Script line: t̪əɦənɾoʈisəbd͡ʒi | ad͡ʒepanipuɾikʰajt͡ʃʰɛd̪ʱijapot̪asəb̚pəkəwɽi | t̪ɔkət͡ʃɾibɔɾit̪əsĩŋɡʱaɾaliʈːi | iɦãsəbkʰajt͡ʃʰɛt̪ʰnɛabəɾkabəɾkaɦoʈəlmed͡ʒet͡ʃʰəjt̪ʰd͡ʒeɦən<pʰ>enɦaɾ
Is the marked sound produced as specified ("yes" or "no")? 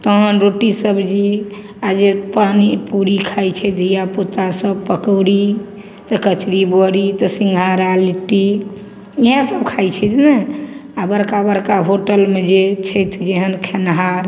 no